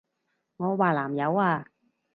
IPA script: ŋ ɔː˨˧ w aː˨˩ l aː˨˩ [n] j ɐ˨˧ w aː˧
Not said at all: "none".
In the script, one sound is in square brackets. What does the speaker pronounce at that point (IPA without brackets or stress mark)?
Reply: m